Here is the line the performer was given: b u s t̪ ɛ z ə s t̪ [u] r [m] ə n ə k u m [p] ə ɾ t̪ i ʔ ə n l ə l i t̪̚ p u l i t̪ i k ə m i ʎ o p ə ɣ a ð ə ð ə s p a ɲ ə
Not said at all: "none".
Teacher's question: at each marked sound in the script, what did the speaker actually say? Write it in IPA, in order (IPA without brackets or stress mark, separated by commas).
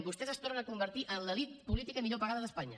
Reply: o, n, b